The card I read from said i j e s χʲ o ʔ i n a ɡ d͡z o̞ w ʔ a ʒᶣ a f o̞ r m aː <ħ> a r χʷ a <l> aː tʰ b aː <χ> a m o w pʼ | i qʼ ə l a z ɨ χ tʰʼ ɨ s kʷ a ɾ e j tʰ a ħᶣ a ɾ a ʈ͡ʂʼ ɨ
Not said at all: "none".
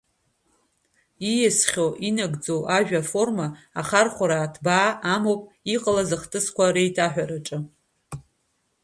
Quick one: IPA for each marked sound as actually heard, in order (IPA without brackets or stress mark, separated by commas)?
χ, ɾ, none